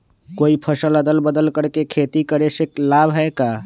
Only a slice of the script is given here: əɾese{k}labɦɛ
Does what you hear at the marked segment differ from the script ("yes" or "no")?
no